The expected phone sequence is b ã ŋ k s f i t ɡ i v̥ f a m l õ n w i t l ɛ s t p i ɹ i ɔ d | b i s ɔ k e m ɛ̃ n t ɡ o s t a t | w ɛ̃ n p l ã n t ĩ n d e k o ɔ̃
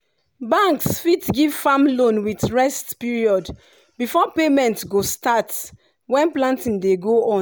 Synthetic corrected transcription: b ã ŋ k s f i t ɡ i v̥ f a m l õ n w i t ɹ ɛ s t p i ɹ i ɔ d | b i f ɔ p e m ɛ̃ n t ɡ o s t a t | w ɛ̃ n p l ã n t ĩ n d e ɡ o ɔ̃